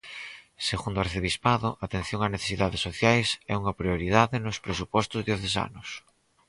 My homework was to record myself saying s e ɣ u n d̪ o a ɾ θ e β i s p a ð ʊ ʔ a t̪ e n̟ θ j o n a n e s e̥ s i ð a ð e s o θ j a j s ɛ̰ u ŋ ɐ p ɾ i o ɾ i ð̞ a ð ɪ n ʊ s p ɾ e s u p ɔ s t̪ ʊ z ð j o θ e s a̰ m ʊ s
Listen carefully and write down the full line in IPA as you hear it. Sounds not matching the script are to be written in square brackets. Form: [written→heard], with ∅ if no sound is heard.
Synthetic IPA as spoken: s e ɣ u n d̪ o a ɾ θ e β i s p a ð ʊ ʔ a t̪ e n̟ θ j o [n→ŋ] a n e [s→θ] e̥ s i ð a ð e s o θ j a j s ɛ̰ u ŋ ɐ p ɾ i o ɾ i ð̞ a ð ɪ n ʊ s p ɾ e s u p ɔ s t̪ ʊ z ð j o θ e s a̰ [m→n] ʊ s